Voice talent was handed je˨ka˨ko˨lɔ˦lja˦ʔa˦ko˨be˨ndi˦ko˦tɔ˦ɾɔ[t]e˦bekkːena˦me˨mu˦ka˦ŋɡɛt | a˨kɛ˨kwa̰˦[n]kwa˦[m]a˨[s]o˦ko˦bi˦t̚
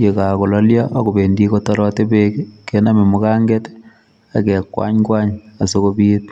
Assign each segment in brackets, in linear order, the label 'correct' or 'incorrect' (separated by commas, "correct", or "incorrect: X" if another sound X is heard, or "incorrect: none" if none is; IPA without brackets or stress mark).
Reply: correct, incorrect: ɲ, incorrect: ɲ, correct